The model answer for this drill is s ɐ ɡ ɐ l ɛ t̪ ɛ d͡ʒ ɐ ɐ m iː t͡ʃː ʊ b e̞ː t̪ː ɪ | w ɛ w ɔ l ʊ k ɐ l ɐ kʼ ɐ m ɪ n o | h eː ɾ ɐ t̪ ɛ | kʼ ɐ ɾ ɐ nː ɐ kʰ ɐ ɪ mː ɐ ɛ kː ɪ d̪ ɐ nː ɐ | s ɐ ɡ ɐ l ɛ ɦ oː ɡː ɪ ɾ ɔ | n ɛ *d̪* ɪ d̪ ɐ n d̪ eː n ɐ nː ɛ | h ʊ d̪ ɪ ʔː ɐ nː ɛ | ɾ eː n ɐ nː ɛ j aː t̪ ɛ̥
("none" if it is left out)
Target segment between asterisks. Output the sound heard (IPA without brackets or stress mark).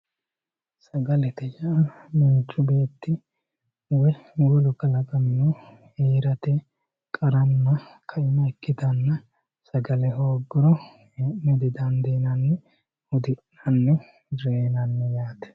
d̪